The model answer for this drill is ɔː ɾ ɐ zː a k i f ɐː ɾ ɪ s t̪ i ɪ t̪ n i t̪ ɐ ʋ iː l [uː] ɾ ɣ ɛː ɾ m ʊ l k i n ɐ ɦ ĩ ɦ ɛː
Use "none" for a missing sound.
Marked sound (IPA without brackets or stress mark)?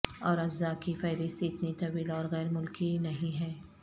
ɔː